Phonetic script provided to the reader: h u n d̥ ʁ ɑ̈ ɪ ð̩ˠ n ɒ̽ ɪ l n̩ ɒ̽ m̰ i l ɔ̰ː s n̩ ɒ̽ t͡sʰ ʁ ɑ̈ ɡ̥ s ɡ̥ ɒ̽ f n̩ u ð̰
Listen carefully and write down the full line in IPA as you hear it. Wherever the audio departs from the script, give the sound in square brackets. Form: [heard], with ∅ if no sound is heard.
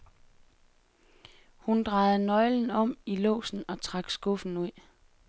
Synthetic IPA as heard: h u n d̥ ʁ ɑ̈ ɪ ð̩ˠ n ɒ̽ ɪ l n̩ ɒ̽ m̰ i l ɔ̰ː s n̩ ɒ̽ t͡sʰ ʁ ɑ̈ ɡ̥ s ɡ̥ [ɔ̽] f n̩ u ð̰

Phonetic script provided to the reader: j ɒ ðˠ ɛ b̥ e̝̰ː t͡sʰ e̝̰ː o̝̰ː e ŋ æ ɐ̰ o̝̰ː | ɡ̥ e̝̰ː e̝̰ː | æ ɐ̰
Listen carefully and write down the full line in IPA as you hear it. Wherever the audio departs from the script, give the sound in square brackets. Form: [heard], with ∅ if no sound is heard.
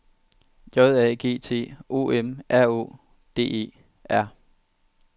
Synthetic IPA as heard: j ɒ ðˠ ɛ [ɡ̥] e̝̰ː t͡sʰ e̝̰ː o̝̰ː e [m] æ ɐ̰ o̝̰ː | [d̥] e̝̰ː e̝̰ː | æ ɐ̰

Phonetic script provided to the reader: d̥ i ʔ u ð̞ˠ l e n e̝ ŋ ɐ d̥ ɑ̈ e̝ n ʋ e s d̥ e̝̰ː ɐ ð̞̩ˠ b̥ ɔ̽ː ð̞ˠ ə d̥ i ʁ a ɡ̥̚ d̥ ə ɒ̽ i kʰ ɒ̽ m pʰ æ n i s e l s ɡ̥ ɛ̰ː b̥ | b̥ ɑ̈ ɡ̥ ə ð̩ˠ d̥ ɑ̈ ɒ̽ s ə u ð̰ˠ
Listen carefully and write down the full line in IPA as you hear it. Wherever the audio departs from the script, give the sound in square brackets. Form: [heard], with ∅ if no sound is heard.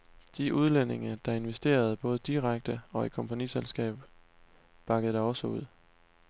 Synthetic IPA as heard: d̥ i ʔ u ð̞ˠ l e n e̝ ŋ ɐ d̥ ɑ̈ e̝ n ʋ e s d̥ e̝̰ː ɐ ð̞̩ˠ b̥ ɔ̽ː ð̞ˠ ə d̥ i ʁ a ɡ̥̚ d̥ ə ɒ̽ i kʰ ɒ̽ m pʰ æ n i s e l s ɡ̥ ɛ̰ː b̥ | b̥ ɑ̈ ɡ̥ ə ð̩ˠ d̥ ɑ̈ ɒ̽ s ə u ð̰ˠ

